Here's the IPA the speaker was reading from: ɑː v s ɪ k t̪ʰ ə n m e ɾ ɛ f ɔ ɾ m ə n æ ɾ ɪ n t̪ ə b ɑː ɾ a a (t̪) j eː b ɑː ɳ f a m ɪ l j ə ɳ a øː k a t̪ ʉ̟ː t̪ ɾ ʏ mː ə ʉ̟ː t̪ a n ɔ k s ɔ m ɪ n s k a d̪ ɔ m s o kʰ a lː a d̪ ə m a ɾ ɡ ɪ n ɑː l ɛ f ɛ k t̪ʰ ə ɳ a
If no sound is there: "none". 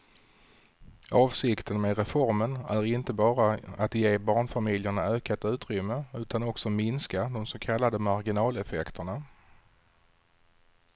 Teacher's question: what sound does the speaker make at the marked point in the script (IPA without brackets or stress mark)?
t̪